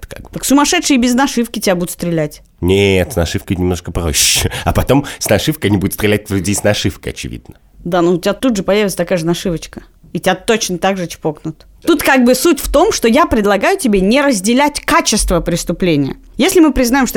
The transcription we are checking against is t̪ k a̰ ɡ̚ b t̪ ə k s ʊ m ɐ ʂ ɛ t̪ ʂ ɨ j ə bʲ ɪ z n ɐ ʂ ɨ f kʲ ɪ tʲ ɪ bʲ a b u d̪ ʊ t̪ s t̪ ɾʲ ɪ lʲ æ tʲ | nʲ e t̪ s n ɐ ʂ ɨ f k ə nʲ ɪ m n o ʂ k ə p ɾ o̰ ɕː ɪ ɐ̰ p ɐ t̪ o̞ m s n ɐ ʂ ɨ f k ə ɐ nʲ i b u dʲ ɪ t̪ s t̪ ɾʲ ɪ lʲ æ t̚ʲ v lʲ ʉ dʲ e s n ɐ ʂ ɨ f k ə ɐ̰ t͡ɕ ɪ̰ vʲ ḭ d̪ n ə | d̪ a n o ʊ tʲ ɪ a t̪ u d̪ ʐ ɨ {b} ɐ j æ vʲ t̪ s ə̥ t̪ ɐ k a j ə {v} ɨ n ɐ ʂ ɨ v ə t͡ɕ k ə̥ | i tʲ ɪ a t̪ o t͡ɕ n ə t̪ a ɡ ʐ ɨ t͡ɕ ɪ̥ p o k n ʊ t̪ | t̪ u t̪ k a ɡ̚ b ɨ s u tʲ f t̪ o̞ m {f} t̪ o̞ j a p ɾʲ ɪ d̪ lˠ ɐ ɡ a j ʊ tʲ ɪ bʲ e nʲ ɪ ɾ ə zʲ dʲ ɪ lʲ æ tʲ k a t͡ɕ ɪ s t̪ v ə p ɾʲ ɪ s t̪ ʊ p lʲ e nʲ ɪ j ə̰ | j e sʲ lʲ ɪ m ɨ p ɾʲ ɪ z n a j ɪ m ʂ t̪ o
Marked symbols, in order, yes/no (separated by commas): no, no, no